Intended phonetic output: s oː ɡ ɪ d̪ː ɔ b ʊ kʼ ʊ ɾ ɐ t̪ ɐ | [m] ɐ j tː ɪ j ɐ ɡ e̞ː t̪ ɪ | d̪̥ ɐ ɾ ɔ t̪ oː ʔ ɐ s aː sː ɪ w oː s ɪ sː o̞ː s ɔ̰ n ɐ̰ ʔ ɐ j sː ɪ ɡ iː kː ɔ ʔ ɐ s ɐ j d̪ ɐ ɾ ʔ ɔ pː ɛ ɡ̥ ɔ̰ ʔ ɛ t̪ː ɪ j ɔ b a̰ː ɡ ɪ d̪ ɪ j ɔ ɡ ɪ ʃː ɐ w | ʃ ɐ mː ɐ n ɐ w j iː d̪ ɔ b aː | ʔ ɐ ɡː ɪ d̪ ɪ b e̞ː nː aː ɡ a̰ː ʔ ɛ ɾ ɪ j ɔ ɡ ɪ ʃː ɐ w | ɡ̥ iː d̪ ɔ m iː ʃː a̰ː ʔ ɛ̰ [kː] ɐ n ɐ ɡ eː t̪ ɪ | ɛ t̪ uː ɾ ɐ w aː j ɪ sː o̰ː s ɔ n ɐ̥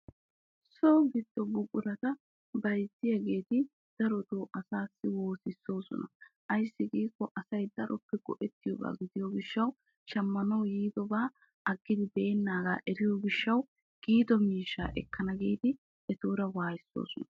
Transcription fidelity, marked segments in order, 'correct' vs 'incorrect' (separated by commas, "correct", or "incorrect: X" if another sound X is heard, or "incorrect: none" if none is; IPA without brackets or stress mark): incorrect: b, correct